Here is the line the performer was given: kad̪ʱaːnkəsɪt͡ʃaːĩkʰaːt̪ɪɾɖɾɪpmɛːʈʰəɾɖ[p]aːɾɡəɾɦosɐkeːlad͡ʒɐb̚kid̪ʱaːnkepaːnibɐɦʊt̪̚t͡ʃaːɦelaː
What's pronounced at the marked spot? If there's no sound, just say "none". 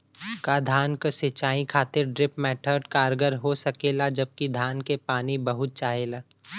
k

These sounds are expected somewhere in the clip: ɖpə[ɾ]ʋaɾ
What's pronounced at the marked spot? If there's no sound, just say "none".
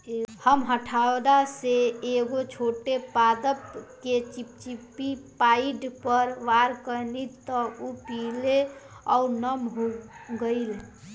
ɾ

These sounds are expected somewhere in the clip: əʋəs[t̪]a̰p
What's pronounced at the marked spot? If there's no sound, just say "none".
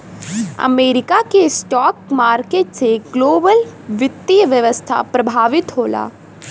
t̪ʰ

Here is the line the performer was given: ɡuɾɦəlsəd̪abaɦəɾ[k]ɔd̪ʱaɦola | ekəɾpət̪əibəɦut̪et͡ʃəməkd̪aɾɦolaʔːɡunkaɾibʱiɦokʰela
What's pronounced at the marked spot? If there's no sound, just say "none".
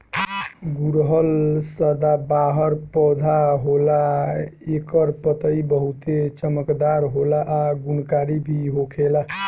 p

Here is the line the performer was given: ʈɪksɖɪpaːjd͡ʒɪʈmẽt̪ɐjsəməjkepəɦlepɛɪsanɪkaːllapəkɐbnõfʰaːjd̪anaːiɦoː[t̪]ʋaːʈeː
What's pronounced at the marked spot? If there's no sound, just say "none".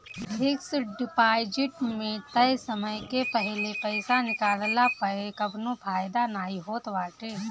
t̪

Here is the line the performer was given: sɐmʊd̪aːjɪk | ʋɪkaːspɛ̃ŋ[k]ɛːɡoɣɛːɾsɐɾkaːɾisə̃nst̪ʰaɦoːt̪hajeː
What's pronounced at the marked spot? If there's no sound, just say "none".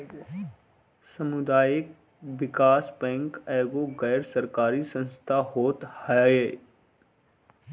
k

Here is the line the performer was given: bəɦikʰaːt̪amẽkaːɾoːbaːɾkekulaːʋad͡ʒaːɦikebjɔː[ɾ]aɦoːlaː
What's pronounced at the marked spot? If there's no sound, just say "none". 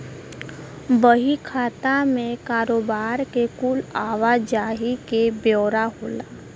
ɾ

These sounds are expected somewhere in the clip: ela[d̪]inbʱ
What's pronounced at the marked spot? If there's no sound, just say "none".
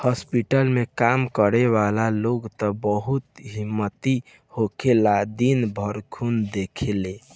d̪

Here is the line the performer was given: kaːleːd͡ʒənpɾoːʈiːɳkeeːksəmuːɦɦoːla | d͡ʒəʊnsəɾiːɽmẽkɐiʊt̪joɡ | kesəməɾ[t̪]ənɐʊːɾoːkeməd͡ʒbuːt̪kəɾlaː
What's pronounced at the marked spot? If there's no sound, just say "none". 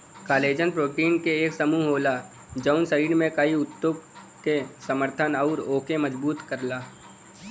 t̪ʰ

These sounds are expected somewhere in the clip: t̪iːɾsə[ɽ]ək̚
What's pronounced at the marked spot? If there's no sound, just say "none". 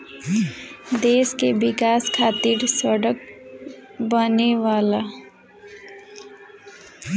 ɽ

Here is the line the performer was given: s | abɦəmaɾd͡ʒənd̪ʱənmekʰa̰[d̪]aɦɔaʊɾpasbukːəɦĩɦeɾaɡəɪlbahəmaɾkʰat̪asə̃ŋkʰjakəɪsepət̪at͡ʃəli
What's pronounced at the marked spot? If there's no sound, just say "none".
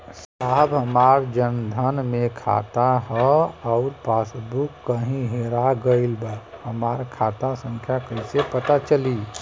t̪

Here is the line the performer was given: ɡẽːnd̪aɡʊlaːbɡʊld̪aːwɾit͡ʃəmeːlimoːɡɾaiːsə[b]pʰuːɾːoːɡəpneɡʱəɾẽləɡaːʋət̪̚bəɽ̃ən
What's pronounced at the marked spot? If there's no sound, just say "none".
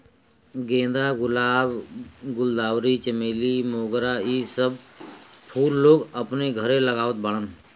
b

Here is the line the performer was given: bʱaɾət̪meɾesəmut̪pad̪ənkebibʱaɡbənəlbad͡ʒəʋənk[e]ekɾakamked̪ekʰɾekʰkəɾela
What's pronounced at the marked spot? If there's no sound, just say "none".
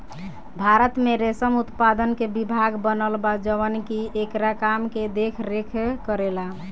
i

